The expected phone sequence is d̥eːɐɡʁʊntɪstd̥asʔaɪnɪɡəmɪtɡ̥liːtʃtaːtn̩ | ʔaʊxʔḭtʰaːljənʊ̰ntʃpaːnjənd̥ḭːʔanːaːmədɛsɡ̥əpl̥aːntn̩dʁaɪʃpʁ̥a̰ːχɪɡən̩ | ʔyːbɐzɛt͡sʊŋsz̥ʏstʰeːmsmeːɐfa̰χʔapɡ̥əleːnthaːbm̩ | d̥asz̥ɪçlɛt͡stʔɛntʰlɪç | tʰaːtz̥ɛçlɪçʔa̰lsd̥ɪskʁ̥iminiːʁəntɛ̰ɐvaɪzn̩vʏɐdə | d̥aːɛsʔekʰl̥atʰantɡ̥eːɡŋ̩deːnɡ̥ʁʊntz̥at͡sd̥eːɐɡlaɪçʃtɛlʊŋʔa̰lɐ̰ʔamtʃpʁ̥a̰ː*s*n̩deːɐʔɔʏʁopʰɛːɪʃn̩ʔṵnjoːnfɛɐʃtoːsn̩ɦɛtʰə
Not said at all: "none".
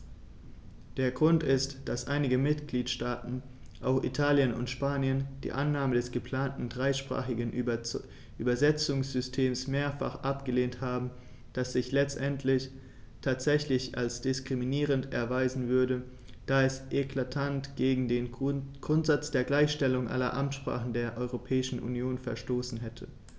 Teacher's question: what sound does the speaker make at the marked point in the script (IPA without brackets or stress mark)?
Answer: χ